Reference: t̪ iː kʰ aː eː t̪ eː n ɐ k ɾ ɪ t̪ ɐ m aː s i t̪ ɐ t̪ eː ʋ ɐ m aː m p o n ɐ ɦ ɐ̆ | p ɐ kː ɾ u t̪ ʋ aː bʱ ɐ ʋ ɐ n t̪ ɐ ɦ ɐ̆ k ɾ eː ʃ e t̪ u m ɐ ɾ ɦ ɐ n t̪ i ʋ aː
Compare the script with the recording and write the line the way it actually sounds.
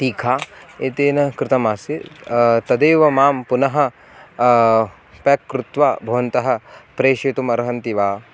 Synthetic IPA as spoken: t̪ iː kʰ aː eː t̪ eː n ɐ k ɾ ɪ t̪ ɐ m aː s i t̪ ɐ d̪ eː ʋ ɐ m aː m p u n ɐ ɦ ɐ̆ | p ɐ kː ɾ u t̪ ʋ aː bʱ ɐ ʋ ɐ n t̪ ɐ ɦ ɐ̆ p ɾ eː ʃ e t̪ u m ɐ ɾ ɦ ɐ n t̪ i ʋ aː